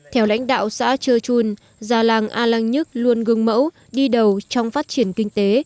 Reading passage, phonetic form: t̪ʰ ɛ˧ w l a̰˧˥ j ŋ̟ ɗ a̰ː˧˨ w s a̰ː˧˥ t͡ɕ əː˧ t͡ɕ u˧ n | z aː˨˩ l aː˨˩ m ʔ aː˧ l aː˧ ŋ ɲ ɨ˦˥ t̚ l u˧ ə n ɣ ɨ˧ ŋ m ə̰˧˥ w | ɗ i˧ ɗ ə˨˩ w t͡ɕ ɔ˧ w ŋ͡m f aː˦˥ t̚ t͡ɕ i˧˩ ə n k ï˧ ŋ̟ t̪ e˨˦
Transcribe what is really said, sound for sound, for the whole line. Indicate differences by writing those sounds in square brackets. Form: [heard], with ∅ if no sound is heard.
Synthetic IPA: t̪ʰ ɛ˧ w l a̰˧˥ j ŋ̟ ɗ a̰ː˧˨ w s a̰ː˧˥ t͡ɕ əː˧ t͡ɕ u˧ n | z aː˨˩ l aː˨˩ [ŋ] ʔ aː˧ l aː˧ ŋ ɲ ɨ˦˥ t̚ l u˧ ə n ɣ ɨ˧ ŋ m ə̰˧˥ w | ɗ i˧ ɗ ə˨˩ w t͡ɕ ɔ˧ w ŋ͡m f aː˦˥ t̚ t͡ɕ i˧˩ ə n k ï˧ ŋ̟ t̪ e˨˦